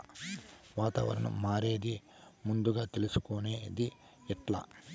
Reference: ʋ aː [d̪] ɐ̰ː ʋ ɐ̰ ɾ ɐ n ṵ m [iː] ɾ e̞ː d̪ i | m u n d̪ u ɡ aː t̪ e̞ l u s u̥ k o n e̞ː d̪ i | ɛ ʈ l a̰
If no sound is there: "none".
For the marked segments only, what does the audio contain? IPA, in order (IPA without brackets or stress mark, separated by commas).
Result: t̪, aː